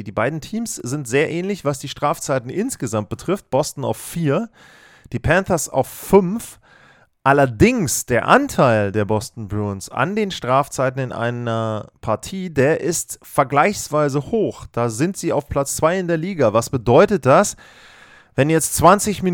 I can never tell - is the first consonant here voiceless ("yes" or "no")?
no